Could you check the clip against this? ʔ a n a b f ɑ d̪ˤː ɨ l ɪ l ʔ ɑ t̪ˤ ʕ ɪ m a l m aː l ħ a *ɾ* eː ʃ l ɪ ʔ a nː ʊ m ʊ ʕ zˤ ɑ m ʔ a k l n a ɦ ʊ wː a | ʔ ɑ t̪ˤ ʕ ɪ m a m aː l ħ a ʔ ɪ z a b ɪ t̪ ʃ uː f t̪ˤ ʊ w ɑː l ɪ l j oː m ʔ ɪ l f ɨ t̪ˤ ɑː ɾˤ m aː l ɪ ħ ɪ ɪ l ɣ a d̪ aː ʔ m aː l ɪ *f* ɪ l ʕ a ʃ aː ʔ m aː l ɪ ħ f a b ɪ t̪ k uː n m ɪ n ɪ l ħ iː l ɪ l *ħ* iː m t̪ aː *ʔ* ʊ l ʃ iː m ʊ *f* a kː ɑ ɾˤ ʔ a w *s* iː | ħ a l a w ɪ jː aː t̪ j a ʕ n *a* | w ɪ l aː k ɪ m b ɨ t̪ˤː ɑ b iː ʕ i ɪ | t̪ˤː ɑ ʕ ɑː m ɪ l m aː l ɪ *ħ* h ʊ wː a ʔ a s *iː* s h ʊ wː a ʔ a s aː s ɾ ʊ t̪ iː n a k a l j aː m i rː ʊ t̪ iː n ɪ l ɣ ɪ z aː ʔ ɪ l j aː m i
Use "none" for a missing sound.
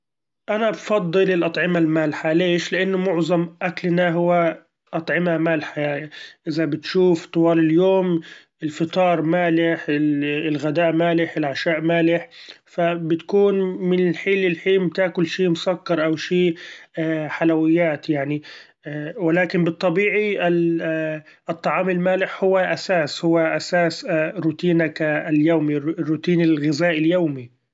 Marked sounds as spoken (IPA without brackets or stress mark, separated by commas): l, ħ, ħ, k, s, ʃ, i, ħ, aː